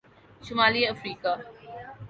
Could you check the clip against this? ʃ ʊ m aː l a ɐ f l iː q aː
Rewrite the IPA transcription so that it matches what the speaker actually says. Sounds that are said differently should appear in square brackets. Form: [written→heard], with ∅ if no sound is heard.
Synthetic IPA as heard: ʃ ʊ m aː l [a→i] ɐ f [l→ɾ] iː [q→k] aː